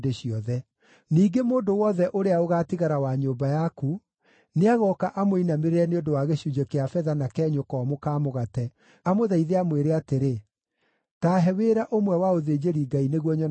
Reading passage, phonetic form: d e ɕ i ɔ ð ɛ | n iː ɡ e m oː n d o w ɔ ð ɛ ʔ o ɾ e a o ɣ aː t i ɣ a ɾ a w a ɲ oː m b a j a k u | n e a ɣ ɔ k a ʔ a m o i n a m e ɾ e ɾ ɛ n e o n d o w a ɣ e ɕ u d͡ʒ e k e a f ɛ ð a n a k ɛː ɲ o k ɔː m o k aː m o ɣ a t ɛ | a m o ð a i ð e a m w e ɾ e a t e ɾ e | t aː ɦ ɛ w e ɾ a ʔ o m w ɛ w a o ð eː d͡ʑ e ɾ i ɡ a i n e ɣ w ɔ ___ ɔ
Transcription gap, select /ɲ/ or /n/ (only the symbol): ɲ